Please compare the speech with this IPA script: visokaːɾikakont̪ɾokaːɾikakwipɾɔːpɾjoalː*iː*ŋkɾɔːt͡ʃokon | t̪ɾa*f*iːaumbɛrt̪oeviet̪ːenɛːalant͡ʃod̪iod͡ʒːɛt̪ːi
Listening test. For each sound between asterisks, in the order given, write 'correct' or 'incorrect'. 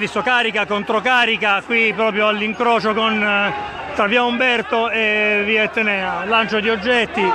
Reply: incorrect: i, incorrect: v

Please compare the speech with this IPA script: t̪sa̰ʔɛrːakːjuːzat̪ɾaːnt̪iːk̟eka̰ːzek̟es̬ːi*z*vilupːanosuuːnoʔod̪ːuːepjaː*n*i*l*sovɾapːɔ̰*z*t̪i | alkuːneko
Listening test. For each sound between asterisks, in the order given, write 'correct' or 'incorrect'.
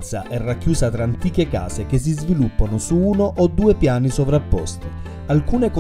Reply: correct, correct, incorrect: none, incorrect: s

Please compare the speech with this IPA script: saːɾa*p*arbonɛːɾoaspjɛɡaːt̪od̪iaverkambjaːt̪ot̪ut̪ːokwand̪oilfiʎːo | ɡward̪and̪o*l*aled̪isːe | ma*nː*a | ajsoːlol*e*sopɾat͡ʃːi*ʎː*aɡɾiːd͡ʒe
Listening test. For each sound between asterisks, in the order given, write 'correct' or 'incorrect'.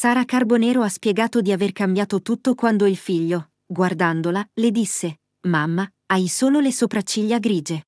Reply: incorrect: k, correct, incorrect: mː, correct, correct

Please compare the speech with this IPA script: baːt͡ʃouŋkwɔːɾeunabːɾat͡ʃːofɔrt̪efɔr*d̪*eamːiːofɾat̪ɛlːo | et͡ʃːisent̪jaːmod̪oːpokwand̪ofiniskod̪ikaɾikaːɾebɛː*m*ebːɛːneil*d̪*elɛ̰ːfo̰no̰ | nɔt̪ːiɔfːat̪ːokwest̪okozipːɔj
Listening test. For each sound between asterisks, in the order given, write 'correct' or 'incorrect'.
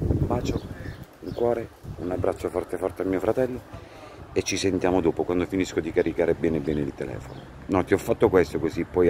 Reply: incorrect: t̪, incorrect: n, incorrect: t̪

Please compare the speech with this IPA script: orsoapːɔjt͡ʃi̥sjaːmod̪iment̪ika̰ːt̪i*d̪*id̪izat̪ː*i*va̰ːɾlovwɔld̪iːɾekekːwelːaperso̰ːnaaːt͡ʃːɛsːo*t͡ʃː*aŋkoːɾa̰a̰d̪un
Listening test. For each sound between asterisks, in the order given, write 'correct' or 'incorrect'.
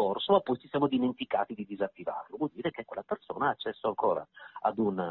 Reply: correct, correct, incorrect: none

